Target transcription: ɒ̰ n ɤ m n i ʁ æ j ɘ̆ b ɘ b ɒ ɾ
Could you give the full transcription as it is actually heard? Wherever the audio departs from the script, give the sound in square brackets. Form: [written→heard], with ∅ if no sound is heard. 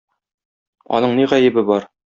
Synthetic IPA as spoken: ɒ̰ n ɤ [m→ɴ] n i ʁ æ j ɘ̆ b ɘ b ɒ ɾ